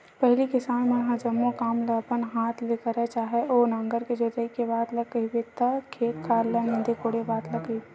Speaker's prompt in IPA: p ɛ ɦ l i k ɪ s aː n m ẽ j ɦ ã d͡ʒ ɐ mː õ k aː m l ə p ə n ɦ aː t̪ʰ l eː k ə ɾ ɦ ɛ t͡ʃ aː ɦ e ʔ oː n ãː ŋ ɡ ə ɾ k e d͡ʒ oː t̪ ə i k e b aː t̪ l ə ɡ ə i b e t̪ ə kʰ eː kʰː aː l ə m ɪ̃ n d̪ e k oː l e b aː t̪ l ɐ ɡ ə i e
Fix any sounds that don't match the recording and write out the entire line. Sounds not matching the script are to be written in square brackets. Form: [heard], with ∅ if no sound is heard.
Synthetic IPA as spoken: p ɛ ɦ l i k ɪ s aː n m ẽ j ɦ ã d͡ʒ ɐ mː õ k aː m l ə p ə n ɦ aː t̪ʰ l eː k ə ɾ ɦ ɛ t͡ʃ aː ɦ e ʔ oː n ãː ŋ ɡ ə ɾ k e d͡ʒ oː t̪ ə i k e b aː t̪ l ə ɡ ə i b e t̪ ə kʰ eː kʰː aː l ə [n] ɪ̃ n d̪ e k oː [ɽ] e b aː t̪ l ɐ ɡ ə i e